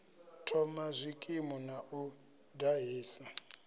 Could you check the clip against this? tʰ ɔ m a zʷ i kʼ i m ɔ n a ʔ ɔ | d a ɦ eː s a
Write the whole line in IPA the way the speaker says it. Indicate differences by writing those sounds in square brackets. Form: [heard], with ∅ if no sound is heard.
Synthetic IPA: tʰ ɔ m a zʷ i kʼ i m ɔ n a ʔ [u] | d a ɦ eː s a